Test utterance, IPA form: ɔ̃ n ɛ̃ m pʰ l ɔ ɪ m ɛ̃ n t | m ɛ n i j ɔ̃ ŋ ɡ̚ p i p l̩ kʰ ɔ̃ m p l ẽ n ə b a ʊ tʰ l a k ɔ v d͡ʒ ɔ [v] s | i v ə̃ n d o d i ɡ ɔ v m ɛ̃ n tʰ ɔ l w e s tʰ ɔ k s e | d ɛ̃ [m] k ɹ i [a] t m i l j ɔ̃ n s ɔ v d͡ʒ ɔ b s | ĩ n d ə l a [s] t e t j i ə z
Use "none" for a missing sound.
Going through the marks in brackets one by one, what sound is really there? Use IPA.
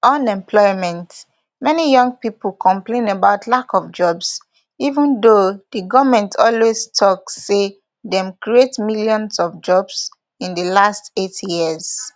b, m, e, s

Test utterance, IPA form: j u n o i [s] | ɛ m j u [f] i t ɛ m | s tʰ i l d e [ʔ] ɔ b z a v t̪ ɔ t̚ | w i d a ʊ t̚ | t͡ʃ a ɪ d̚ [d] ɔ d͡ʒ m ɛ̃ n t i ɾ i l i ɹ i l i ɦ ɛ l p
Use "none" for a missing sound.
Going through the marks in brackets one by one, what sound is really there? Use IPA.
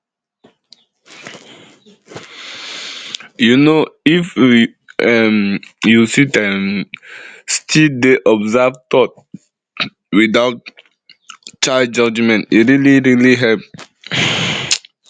f, s, ʔ, d͡ʒ

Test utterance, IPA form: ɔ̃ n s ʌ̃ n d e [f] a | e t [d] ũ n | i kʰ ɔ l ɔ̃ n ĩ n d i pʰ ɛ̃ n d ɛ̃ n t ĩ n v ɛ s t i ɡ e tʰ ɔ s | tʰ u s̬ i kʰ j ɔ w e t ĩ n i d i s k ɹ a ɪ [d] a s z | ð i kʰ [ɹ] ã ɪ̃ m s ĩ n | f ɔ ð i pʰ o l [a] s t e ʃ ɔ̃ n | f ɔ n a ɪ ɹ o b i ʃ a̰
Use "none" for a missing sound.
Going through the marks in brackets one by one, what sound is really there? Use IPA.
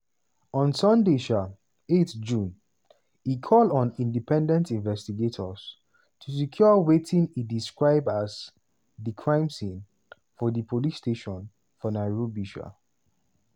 ʃ, d͡ʒ, b, ɹ, i

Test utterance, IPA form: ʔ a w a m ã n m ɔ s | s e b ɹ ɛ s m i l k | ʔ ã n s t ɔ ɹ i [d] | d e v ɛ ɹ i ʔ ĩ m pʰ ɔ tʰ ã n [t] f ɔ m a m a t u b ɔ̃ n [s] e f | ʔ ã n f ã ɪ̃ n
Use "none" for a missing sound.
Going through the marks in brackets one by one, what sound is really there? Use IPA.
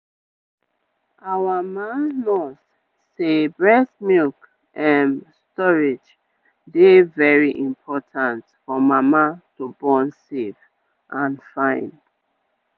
d͡ʒ, t, s

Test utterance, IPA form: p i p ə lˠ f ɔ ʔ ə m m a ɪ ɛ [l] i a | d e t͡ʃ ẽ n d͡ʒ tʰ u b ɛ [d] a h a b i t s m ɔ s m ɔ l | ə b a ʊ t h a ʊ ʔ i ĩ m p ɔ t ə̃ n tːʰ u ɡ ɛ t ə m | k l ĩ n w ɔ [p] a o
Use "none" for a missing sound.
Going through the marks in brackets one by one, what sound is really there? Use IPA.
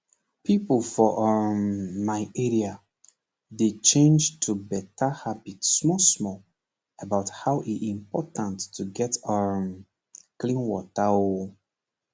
ɹ, t, t

